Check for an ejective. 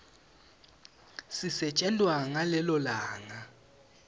present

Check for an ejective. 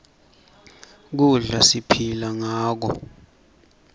absent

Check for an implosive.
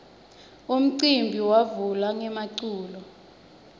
absent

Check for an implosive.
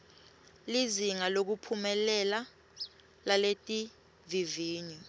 absent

